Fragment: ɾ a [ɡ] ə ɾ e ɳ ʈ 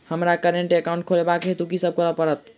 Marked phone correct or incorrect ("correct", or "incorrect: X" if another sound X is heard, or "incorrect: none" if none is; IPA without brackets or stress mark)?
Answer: incorrect: k